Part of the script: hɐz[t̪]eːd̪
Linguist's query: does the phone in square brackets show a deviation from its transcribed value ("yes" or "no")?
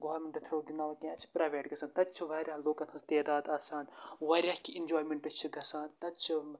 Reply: no